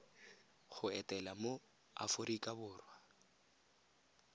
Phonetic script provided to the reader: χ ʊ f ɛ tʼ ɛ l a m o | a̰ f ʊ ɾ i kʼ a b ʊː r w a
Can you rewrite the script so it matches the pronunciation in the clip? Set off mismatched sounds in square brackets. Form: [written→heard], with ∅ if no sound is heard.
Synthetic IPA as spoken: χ ʊ [f→∅] ɛ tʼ ɛ l a m o | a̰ f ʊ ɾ i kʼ a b ʊː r w a